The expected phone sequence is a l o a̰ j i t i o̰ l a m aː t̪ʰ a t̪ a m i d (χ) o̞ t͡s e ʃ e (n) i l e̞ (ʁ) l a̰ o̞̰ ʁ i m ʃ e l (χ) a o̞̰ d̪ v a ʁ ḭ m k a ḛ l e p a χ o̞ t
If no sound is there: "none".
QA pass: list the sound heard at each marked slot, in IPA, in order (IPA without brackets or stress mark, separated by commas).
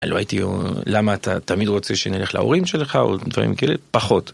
ʁ, n, χ, χ